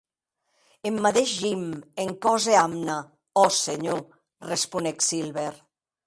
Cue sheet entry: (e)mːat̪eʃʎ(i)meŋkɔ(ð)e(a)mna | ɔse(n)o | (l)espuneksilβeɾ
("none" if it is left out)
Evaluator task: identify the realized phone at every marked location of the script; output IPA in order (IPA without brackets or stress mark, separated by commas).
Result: e, i, z, a, ɲ, r